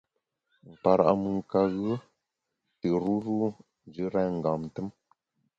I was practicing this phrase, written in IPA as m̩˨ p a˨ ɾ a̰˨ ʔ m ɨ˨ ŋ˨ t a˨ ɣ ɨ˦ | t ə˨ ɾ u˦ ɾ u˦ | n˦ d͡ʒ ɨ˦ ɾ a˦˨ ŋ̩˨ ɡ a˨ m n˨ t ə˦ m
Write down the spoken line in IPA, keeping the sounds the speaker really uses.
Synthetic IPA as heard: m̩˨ p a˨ ɾ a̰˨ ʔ m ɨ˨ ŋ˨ k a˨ ɣ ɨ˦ | t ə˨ ɾ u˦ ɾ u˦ | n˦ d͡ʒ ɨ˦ ɾ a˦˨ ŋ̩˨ ɡ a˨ m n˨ t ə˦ m